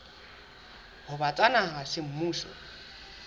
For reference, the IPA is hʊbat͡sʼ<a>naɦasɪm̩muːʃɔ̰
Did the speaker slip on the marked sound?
no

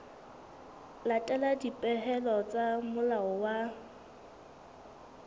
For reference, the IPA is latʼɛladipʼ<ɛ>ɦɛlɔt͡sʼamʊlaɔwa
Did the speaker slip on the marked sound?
no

